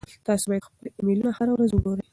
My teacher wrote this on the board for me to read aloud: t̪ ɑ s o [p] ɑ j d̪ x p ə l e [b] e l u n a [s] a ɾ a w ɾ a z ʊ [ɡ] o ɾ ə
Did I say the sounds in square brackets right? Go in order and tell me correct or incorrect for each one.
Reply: incorrect, incorrect, incorrect, correct

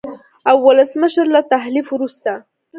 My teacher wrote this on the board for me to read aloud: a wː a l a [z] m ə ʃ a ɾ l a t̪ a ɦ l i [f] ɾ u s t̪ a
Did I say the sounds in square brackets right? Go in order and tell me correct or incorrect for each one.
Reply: incorrect, correct

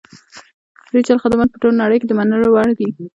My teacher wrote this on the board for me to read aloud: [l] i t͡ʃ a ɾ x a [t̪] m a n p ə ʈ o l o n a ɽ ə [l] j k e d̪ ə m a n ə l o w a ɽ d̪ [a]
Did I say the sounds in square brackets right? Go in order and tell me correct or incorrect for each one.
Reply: incorrect, incorrect, incorrect, incorrect

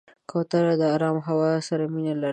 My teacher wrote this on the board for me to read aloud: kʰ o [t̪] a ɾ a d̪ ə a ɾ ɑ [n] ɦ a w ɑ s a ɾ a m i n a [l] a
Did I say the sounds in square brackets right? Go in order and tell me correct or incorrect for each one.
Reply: correct, incorrect, correct

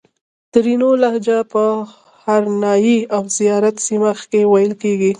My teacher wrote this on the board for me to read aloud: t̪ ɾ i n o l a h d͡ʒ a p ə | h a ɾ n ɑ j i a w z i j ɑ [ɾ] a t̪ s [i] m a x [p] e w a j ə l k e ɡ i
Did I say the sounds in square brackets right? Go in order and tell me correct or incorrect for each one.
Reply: correct, correct, incorrect

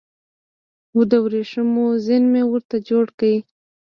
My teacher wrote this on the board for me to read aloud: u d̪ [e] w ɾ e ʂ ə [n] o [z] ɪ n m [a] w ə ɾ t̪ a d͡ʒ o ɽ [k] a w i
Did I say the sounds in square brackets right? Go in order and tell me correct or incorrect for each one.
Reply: incorrect, incorrect, correct, incorrect, correct

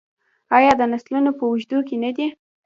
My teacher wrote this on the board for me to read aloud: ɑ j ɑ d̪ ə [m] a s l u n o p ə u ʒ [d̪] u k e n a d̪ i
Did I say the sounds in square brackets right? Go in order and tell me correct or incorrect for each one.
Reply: incorrect, correct

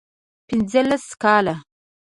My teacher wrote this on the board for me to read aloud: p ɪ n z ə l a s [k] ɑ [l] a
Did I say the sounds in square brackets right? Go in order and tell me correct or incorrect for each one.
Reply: correct, correct

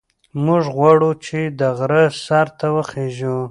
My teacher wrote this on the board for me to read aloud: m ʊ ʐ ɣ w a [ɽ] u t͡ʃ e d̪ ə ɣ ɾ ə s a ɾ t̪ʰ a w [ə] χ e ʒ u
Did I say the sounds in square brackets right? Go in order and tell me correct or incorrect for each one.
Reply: correct, correct

